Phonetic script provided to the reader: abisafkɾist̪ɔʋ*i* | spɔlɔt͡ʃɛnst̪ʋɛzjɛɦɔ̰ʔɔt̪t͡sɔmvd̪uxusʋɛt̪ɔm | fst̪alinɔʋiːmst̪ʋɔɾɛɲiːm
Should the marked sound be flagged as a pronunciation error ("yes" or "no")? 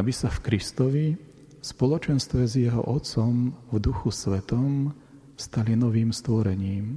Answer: no